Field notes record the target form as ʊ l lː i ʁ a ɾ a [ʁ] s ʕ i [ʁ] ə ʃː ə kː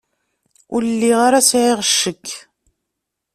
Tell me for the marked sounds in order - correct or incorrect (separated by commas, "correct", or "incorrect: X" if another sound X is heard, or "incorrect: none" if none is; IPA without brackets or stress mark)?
incorrect: none, correct